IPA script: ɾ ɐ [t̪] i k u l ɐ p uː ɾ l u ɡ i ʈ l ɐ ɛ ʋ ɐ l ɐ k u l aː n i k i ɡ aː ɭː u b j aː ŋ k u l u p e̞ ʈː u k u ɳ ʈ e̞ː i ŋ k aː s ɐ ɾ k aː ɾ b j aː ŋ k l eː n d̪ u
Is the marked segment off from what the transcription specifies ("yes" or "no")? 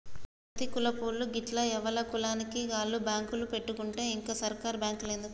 no